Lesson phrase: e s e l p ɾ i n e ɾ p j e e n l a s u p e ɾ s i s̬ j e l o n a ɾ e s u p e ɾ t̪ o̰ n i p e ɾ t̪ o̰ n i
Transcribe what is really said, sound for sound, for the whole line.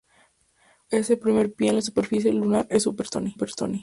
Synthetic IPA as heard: e s e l p ɾ i m e ɾ p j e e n l a s u p e ɾ f i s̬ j e l u n a ɾ e s u p e ɾ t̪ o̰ n i p e ɾ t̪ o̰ n i